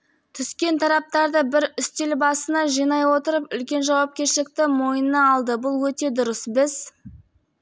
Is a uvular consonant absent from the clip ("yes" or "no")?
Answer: yes